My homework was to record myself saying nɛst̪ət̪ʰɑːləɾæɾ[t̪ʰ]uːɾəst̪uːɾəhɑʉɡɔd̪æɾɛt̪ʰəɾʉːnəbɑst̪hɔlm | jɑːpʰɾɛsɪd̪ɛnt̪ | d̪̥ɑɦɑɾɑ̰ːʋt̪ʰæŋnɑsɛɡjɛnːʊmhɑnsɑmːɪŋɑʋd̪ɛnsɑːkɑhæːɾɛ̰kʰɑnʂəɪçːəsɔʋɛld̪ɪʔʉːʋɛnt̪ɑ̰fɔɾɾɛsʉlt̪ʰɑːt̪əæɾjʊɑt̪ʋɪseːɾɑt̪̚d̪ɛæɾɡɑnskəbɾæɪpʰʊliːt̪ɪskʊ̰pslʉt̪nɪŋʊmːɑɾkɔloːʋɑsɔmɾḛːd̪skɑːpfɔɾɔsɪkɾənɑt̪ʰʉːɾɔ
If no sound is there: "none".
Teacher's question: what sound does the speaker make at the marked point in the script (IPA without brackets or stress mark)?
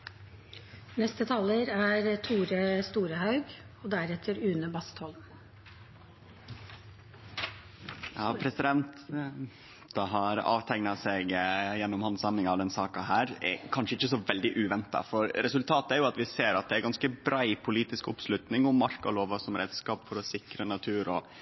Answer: t̪ʰ